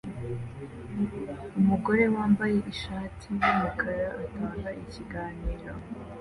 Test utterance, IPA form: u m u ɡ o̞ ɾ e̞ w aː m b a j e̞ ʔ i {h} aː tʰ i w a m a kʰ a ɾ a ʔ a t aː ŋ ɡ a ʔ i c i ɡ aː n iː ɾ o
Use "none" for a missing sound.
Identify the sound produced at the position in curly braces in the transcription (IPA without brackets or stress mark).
ʃ